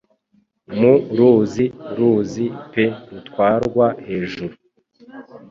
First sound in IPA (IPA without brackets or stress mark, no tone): m